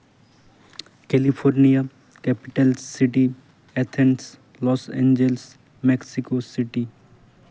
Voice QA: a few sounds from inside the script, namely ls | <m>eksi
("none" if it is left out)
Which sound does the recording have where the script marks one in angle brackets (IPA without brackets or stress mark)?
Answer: m